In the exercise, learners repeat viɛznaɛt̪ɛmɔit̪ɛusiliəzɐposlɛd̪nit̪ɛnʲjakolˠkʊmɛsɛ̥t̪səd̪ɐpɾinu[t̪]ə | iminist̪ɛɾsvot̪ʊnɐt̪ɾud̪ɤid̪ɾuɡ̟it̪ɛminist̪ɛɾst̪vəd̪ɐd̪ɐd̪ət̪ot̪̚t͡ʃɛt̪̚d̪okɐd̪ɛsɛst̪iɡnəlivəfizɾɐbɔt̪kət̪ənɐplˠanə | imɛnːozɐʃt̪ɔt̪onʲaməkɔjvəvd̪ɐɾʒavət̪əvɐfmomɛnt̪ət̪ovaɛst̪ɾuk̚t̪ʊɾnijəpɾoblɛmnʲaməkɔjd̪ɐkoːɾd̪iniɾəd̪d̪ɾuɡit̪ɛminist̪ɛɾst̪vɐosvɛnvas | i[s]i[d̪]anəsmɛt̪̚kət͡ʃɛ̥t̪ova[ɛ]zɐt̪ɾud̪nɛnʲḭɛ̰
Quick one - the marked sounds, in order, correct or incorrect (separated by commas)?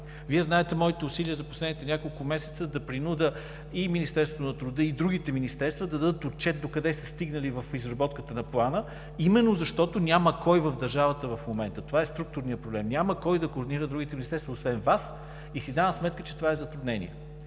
incorrect, correct, correct, correct